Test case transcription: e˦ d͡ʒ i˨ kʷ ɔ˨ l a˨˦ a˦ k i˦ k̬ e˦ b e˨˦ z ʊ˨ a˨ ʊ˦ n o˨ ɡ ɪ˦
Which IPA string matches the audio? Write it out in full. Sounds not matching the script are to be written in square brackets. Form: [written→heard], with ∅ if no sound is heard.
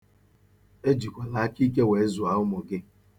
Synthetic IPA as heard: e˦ d͡ʒ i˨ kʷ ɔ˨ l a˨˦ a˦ k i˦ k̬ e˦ [b→w] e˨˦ z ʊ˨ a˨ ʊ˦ [n→m] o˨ ɡ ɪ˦

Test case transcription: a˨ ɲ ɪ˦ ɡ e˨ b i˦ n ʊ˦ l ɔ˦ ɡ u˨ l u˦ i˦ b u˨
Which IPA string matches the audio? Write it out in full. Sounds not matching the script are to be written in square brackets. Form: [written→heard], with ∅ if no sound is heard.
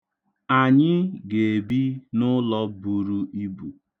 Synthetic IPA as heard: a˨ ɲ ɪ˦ ɡ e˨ b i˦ n ʊ˦ l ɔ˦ [ɡ→b] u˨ [l→ɾ] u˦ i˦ b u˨

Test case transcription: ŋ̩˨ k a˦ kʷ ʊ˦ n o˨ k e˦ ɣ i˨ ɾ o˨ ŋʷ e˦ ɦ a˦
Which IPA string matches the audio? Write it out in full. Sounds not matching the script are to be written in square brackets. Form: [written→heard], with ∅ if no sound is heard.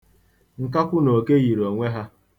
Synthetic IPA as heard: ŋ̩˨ k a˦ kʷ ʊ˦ n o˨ k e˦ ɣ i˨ ɾ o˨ ŋʷ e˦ ɦ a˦

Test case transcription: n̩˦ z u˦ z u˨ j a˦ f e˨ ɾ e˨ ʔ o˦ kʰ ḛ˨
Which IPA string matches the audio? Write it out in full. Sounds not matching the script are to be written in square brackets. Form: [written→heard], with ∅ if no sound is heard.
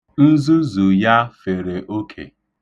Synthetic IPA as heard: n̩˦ z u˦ z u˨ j a˦ f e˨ ɾ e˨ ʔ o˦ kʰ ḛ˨

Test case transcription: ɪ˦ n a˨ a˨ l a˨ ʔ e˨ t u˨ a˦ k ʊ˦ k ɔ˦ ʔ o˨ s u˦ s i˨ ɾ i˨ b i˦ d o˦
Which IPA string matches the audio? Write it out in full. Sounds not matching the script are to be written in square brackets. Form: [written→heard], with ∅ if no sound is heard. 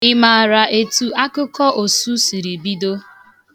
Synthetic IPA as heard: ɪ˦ [n→m] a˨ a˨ [l→ɾ] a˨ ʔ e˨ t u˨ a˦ k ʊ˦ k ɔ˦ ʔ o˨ s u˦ s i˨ ɾ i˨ b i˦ d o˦

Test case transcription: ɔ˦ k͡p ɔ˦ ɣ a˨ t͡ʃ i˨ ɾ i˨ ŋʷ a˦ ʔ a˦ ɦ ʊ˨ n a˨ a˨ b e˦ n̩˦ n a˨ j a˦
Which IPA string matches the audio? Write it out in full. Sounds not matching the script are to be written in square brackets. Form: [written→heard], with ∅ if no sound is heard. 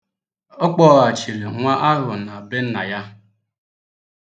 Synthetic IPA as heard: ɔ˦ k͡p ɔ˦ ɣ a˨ t͡ʃ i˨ ɾ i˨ ŋʷ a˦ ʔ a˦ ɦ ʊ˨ n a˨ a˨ b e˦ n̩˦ n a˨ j a˦

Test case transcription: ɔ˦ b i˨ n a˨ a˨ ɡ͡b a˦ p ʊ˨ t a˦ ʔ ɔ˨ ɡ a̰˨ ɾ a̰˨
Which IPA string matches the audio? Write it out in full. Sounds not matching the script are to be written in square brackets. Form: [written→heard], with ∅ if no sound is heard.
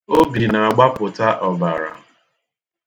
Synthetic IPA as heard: [ɔ˦→o˦] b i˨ n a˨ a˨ ɡ͡b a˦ p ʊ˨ t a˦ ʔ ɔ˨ [ɡ→b] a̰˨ ɾ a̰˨

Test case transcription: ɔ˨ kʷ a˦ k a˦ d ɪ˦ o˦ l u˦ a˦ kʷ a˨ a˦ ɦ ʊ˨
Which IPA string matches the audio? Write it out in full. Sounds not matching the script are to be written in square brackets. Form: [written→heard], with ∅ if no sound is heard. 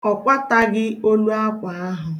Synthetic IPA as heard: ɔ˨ kʷ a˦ [k→t] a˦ [d→ɡ] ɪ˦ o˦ l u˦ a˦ kʷ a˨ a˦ ɦ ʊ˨

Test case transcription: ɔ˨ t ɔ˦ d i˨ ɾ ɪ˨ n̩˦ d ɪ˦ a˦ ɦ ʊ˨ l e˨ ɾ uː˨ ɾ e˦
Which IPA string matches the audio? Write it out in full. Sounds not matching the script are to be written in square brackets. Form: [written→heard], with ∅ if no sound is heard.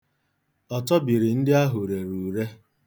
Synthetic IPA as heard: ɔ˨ t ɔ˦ [d→b] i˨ ɾ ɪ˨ n̩˦ d ɪ˦ a˦ ɦ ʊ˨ [l→ɾ] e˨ ɾ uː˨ ɾ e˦

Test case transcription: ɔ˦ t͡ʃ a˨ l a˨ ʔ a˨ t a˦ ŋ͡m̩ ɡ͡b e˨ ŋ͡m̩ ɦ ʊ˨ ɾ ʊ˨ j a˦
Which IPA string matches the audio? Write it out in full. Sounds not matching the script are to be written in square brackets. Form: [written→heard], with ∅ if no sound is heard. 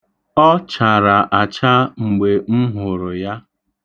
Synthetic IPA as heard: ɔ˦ t͡ʃ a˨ [l→ɾ] a˨ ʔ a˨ [t→t͡ʃ] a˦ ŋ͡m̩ ɡ͡b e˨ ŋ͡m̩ ɦ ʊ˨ ɾ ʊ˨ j a˦

